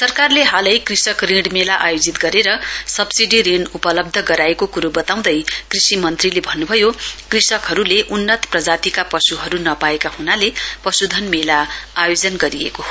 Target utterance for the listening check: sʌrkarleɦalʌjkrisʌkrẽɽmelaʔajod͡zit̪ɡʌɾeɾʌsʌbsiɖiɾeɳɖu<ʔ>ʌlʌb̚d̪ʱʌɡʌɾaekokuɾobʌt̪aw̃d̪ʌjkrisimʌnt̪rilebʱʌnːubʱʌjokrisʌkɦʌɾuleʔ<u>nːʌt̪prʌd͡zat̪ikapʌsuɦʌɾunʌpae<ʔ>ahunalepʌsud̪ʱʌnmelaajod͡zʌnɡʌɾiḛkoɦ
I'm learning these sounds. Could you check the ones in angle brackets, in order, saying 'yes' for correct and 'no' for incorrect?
no, yes, no

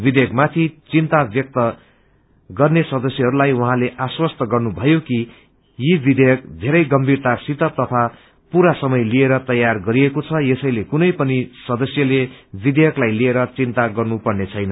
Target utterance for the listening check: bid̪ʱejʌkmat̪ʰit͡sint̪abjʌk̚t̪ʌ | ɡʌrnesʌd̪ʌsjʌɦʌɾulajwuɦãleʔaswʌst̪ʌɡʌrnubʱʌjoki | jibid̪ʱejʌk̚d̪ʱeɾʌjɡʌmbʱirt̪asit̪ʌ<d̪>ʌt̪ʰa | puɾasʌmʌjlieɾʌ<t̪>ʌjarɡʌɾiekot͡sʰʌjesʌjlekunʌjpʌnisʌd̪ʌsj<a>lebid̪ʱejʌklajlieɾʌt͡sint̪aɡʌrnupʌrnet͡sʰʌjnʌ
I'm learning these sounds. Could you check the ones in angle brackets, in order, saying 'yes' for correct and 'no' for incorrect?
no, yes, no

